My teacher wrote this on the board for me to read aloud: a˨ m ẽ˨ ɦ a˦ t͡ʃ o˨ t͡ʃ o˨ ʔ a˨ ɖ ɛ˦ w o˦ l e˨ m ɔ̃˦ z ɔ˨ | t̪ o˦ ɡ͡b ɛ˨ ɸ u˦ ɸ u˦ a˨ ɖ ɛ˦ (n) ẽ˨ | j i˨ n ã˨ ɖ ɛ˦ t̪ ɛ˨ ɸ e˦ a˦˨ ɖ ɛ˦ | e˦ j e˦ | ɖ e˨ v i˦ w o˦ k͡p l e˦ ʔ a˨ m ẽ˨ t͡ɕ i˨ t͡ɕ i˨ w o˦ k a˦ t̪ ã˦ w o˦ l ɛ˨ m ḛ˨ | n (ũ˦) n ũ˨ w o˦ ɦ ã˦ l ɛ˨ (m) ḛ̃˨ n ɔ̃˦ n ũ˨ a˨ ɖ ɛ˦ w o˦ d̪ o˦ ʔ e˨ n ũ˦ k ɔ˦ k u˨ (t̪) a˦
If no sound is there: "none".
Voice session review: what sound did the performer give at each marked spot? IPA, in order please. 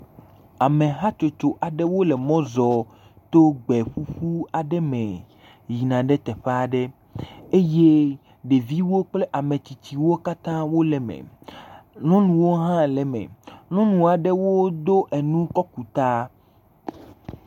m, ɔ̃˦, m, t̪

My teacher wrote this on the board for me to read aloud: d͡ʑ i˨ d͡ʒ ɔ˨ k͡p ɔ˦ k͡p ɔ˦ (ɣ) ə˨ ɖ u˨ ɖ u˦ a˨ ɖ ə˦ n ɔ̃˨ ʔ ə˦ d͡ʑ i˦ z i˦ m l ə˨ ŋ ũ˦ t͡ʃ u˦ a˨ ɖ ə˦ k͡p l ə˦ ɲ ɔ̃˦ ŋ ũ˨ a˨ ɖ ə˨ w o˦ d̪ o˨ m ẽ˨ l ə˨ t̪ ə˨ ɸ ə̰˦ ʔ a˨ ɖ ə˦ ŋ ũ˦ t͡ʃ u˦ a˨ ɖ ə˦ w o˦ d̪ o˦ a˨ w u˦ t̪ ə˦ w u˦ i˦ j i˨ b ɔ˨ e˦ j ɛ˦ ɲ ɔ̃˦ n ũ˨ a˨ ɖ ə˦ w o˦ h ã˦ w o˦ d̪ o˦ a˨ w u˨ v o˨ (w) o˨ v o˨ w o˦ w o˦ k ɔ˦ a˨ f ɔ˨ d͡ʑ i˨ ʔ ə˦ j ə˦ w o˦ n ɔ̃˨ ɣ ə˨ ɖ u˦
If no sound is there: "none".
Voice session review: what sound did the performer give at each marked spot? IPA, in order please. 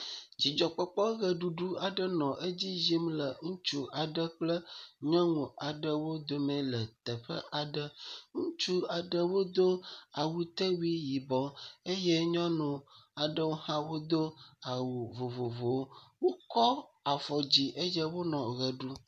ɣ, v

